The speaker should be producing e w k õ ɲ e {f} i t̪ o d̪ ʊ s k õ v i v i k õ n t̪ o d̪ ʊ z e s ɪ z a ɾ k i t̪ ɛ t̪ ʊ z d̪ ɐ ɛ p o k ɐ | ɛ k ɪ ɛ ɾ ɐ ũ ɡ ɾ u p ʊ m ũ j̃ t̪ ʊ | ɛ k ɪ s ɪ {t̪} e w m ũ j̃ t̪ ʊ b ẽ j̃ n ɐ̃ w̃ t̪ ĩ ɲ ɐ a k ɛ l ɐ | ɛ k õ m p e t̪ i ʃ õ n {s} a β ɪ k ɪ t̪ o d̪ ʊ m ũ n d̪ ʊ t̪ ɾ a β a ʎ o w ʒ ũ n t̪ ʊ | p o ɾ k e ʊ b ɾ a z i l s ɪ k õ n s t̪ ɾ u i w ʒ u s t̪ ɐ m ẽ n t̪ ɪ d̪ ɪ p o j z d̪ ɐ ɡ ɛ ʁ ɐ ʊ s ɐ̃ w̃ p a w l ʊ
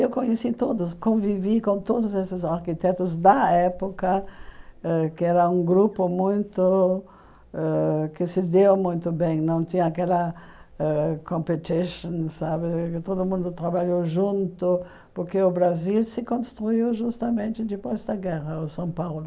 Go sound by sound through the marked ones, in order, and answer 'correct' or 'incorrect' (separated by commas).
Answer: incorrect, incorrect, correct